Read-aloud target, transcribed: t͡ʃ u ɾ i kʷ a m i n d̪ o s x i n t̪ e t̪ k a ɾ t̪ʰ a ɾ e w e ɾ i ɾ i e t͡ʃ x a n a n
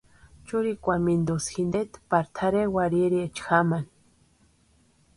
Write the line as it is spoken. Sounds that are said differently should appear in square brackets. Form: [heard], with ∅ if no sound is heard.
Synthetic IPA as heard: t͡ʃ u ɾ i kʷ a m i n d̪ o s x i n [d̪] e t̪ [p] a ɾ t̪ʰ a ɾ e w [a] ɾ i ɾ i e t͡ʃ x a [m] a n